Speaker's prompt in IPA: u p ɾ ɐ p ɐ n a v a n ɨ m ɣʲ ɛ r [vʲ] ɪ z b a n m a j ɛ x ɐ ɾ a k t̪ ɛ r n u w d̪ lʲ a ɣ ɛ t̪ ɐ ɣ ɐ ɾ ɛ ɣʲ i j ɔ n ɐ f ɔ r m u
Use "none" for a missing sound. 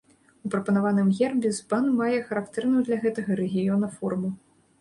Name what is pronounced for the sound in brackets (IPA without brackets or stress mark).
bʲ